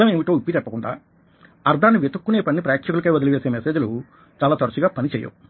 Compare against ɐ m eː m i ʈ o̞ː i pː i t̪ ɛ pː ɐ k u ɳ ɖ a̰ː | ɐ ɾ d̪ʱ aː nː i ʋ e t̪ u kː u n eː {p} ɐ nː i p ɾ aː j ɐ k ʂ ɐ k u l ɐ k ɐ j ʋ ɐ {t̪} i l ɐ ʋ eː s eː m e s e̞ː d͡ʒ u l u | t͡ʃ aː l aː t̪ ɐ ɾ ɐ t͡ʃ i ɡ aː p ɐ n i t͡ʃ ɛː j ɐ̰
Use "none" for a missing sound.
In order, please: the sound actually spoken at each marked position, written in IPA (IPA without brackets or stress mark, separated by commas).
p, d̪